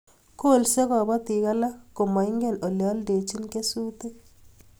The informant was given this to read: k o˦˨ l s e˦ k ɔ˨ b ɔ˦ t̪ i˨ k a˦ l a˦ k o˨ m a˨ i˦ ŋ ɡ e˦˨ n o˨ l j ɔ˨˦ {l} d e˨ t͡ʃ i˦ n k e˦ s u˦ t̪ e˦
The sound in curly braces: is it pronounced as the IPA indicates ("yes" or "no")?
yes